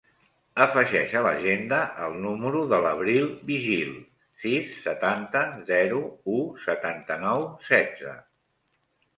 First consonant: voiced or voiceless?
voiceless